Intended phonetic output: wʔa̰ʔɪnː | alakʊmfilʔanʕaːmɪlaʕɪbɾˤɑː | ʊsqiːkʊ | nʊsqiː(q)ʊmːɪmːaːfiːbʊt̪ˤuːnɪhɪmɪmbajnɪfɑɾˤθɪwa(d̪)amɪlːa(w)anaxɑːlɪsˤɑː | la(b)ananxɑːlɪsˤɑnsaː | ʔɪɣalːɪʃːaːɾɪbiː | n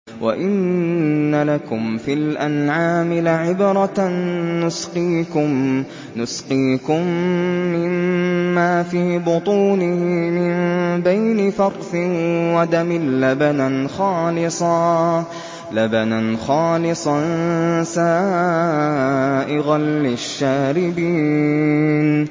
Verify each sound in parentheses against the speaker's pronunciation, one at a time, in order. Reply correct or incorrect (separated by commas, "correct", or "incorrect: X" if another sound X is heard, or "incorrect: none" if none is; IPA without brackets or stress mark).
incorrect: k, correct, incorrect: b, correct